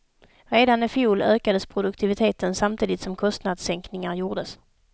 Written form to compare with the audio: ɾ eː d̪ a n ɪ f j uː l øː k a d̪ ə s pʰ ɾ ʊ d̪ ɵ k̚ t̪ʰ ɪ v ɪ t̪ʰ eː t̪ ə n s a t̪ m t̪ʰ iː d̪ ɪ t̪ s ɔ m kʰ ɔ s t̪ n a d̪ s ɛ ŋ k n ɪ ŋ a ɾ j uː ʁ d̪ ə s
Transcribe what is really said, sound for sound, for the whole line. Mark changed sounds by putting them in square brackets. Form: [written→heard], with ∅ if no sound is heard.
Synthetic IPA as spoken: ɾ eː d̪ a n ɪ f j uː l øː k a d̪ ə s pʰ ɾ ʊ d̪ ɵ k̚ t̪ʰ ɪ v ɪ t̪ʰ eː t̪ ə n s a [t̪→∅] m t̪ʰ iː d̪ ɪ t̪ s ɔ m kʰ ɔ s t̪ n a d̪ s ɛ ŋ k n ɪ ŋ a ɾ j uː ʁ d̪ ə s